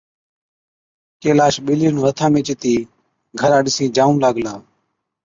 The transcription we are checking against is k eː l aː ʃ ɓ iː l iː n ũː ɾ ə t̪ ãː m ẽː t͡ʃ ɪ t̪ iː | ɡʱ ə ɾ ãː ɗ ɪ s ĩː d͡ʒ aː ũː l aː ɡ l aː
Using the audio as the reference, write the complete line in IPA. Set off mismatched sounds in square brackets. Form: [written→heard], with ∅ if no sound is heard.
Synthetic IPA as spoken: k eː l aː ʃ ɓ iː l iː n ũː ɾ ə [t̪→t̪ʰ] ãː m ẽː t͡ʃ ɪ t̪ iː | ɡʱ ə ɾ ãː ɗ ɪ s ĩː d͡ʒ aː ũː l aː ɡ l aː